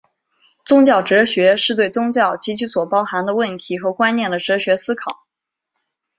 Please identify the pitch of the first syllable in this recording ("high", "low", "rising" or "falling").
high